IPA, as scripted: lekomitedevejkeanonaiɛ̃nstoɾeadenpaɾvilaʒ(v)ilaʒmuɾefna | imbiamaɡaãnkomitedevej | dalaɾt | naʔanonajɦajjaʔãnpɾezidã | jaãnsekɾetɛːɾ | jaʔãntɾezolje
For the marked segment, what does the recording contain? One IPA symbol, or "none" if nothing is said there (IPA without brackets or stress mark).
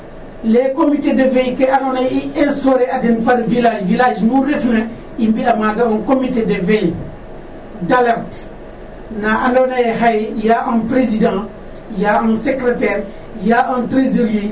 v